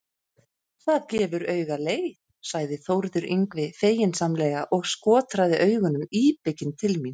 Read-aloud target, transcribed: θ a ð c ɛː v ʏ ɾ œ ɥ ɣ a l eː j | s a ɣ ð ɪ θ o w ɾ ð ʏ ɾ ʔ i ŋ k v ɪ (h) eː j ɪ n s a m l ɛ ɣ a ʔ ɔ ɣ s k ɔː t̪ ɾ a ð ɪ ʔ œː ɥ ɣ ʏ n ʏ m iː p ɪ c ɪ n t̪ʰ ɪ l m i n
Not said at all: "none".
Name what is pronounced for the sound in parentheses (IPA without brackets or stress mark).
f